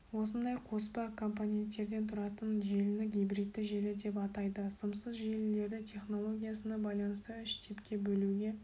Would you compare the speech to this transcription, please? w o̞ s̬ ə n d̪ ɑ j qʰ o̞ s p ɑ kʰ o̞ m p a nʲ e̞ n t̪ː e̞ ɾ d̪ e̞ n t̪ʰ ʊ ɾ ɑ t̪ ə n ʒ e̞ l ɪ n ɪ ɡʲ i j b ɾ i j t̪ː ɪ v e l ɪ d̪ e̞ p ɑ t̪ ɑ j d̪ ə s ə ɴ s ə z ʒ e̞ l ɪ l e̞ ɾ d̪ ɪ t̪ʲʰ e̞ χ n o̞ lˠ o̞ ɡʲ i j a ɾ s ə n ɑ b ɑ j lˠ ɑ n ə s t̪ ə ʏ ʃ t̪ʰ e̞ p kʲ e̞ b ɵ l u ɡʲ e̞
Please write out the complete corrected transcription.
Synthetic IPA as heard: w o̞ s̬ ə n d̪ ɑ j qʰ o̞ s p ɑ kʰ o̞ m p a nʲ e̞ n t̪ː e̞ ɾ d̪ e̞ n t̪ʰ ʊ ɾ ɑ t̪ ə n ʒ e̞ l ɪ n ɪ ɡʲ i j b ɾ i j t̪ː ɪ ʒ e l ɪ d̪ e̞ p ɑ t̪ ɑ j d̪ ə s ə m s ə z ʒ e̞ l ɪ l e̞ ɾ d̪ ɪ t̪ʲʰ e̞ χ n o̞ lˠ o̞ ɡʲ i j a s ə n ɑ b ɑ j lˠ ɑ n ə s t̪ ə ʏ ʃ t̪ʰ e̞ p kʲ e̞ b ɵ l u ɡʲ e̞

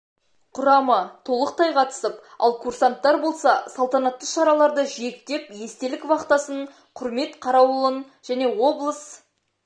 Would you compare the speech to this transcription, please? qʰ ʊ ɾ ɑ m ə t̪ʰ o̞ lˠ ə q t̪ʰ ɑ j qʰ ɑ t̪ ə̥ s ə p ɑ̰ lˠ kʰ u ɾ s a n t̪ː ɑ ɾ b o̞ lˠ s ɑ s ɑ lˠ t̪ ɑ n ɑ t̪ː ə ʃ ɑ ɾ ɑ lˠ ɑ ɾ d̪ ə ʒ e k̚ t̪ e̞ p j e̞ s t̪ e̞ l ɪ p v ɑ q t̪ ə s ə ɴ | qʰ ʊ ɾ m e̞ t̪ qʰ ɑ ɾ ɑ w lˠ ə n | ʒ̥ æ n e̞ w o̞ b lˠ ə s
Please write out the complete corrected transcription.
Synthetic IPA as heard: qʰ ʊ ɾ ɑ m ə t̪ʰ o̞ lˠ ə q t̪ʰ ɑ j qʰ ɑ t̪ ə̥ s ə p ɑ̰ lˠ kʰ u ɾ s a n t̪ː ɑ ɾ b o̞ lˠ s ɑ s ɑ lˠ t̪ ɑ n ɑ t̪ː ə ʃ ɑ ɾ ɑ lˠ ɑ ɾ d̪ ə ʒ e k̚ t̪ e̞ p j e̞ s t̪ e̞ l ɪ k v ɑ q t̪ ɑ s ə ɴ | qʰ ʊ ɾ m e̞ t̪ qʰ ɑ ɾ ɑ w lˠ ə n | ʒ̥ æ n e̞ w o̞ b lˠ ə s

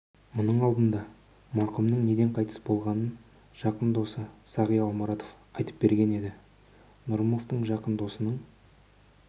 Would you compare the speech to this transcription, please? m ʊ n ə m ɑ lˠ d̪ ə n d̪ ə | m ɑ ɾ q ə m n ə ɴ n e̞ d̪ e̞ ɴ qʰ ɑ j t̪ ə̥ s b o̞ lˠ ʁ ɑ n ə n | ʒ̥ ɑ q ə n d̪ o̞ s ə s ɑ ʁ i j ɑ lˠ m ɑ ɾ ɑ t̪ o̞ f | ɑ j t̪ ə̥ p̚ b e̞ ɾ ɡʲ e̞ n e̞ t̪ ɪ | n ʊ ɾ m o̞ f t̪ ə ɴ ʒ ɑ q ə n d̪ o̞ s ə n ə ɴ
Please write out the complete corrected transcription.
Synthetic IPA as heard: m ʊ n ə ɴ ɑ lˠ d̪ ə n d̪ ɑ | m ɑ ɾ q ə m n ə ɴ n e̞ d̪ e̞ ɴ qʰ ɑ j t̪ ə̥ s b o̞ lˠ ʁ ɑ n ə n | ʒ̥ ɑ q ə n d̪ o̞ s ə s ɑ ʁ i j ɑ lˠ m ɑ ɾ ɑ t̪ o̞ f | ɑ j t̪ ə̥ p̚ b e̞ ɾ ɡʲ e̞ n e̞ d̪ ɪ | n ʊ ɾ m o̞ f t̪ ə ɴ ʒ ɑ q ə n d̪ o̞ s ə n ə ɴ

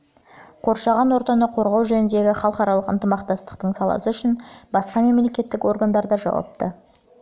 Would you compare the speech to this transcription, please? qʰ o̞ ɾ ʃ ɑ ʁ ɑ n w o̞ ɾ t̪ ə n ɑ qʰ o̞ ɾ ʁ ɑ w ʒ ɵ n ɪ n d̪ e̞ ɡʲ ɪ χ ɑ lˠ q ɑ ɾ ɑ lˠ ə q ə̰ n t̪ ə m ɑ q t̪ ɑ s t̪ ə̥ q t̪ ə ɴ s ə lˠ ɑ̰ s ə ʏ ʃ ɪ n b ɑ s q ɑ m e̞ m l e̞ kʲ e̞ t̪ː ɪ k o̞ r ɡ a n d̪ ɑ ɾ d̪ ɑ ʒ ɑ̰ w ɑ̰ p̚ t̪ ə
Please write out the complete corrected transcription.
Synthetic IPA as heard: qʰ o̞ ɾ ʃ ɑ ʁ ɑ n w o̞ ɾ t̪ ɑ n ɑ qʰ o̞ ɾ ʁ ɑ w ʒ ɵ n ɪ n d̪ e̞ ɡʲ ɪ χ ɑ lˠ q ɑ ɾ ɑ lˠ ə q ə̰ n t̪ ə m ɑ q t̪ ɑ s t̪ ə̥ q t̪ ə ɴ s ɑ lˠ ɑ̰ s ə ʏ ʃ ɪ n b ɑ s q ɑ m e̞ m l e̞ kʲ e̞ t̪ː ɪ k o̞ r ɡ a n d̪ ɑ ɾ d̪ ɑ ʒ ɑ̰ w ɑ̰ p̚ t̪ ə

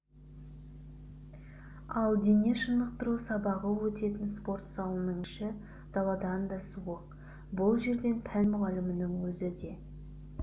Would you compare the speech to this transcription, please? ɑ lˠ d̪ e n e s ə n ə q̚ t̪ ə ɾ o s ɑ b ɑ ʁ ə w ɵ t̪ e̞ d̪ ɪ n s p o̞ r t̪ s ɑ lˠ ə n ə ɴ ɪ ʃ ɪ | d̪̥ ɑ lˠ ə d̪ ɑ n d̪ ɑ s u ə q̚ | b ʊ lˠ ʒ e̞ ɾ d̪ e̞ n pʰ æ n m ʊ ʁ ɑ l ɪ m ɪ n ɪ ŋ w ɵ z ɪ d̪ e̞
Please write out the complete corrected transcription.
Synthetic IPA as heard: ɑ lˠ d̪ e n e ʃ ə n ə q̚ t̪ ə ɾ u s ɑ b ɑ ʁ ə w ɵ t̪ e̞ t̪ ɪ n s p o̞ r t̪ s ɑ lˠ ə n ə ɴ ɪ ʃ ɪ | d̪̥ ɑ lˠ ɑ d̪ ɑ n d̪ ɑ s u ə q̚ | b ʊ lˠ ʒ e̞ ɾ d̪ e̞ n pʰ æ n m ʊ ʁ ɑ l ɪ m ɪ n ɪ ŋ w ɵ z ɪ d̪ e̞

